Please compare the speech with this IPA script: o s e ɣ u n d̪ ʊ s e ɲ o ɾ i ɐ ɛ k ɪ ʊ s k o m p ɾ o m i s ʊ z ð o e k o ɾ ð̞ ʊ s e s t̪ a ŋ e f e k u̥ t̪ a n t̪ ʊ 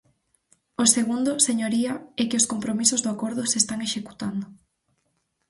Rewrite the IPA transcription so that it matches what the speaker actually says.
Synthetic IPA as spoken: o s e ɣ u n d̪ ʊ s e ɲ o ɾ i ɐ ɛ k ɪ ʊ s k o m p ɾ o m i s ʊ z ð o a k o ɾ ð̞ ʊ s e s t̪ a ŋ e ʃ e k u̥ t̪ a n d̪ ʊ